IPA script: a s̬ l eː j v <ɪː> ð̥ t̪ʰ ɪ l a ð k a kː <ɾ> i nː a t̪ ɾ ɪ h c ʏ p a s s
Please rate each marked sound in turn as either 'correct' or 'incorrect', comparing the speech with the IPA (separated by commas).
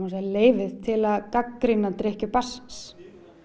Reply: incorrect, correct